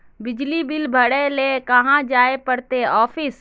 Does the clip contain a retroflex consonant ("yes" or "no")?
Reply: yes